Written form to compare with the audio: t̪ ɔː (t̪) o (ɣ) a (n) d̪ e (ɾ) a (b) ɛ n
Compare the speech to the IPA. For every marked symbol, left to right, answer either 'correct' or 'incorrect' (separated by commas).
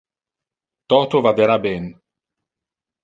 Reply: correct, incorrect, incorrect, correct, correct